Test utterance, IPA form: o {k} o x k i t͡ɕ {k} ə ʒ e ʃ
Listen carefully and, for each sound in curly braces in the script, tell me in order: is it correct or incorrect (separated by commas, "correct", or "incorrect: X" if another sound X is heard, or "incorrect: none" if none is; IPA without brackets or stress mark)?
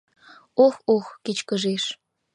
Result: incorrect: x, correct